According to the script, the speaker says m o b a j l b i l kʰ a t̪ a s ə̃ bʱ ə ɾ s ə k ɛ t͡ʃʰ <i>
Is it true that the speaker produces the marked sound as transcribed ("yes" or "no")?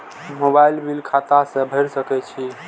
yes